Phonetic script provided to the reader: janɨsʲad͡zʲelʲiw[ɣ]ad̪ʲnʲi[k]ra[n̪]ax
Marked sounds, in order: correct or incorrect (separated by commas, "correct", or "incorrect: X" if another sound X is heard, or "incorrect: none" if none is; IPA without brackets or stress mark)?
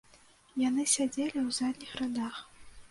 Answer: incorrect: z, incorrect: x, incorrect: d̪